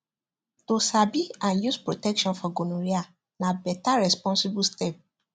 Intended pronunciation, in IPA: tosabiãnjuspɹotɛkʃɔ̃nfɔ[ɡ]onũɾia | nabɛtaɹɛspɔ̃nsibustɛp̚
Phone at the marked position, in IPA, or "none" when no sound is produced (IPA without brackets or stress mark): ɡ